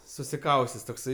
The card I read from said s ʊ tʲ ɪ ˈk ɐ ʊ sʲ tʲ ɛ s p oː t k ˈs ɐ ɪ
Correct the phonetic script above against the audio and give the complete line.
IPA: s ʊ sʲ ɪ ˈk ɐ ʊ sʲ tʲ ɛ s t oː k ˈs ɐ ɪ

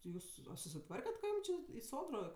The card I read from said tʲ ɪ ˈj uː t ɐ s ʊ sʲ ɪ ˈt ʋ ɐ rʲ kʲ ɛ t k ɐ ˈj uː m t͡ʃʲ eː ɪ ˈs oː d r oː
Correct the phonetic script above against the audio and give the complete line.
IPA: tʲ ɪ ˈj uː s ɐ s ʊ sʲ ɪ ˈt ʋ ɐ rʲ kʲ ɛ t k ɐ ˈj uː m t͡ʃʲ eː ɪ ˈs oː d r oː

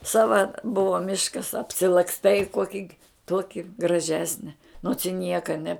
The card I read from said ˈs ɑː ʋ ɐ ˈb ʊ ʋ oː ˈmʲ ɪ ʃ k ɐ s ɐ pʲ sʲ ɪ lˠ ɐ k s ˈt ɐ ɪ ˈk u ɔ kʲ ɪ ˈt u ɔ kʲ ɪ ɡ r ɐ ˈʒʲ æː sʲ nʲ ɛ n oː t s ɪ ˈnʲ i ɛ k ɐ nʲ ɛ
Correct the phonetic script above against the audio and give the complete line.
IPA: ˈs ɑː ʋ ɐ ˈb ʊ ʋ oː ˈmʲ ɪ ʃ k ɐ s ɐ pʲ sʲ ɪ lˠ ɐ k s ˈt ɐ ɪ ˈk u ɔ kʲ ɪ ˈt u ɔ kʲ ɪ ɡ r ɐ ˈʒʲ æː sʲ nʲ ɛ n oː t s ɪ ˈnʲ i ɛ k ɐ nʲ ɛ

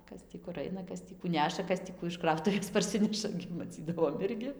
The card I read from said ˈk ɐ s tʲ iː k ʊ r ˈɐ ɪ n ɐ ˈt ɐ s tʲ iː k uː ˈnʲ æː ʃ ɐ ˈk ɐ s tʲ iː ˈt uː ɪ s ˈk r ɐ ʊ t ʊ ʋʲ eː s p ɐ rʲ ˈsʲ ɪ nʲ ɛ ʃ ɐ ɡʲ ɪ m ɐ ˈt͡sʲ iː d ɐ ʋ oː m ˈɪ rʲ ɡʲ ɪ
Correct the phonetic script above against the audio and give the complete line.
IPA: ˈk ɐ s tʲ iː k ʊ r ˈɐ ɪ n ɐ ˈk ɐ s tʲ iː k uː ˈnʲ æː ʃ ɐ ˈk ɐ s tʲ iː ˈk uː ɪ ʃ ˈk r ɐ ʊ t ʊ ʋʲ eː s p ɐ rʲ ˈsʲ ɪ nʲ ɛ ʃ ɐ ɡʲ ɪ m ɐ ˈt͡sʲ iː d ɐ ʋ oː m ˈɪ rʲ ɡʲ ɪ

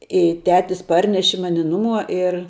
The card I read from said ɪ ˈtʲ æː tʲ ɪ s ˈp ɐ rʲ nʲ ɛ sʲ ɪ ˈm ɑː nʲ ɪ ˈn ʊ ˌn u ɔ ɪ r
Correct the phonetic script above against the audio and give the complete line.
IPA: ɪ ˈtʲ æː tʲ ɪ s ˈp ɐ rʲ nʲ ɛ ʃʲ ɪ ˈm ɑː nʲ ɪ ˈn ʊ ˌm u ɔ ɪ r

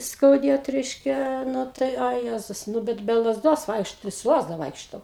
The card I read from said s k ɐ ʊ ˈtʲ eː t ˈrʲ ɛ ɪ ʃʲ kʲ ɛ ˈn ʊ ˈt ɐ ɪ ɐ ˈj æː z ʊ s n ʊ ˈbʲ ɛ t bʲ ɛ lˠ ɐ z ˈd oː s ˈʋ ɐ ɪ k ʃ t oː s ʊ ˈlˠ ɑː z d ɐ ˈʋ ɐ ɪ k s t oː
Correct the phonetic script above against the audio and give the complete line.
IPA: s k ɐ ʊ ˈdʲ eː t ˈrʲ ɛ ɪ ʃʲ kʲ ɛ ˈn ʊ ˈt ɐ ɪ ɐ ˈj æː z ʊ s n ʊ ˈbʲ ɛ t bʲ ɛ lˠ ɐ z ˈd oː s ˈʋ ɐ ɪ k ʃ t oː s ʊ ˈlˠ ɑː z d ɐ ˈʋ ɐ ɪ k ʃ t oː

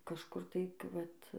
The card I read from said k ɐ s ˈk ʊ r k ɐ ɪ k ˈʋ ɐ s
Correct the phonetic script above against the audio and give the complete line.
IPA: k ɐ ʃ ˈk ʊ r t ɐ ɪ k ˈʋ ɐ t

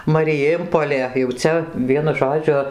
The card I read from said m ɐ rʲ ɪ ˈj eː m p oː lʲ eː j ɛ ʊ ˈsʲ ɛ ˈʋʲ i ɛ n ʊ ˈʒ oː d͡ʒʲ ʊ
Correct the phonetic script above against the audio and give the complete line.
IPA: m ɐ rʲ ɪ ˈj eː m p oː lʲ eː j ɛ ʊ ˈt͡sʲ ɛ ˈʋʲ i ɛ n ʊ ˈʒ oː d͡ʒʲ ʊ

